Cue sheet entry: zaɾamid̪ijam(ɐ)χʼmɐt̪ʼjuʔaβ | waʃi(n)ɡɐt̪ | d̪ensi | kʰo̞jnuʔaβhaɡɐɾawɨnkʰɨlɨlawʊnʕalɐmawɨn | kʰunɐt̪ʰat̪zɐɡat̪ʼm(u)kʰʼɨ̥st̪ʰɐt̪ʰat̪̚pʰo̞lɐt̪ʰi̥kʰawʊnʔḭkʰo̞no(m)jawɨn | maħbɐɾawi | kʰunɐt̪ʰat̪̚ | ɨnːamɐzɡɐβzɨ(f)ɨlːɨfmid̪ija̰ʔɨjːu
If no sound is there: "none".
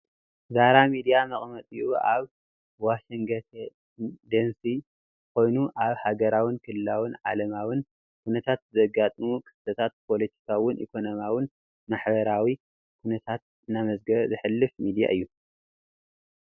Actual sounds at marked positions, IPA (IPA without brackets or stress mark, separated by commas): ɐ, ŋ, u, m, ħ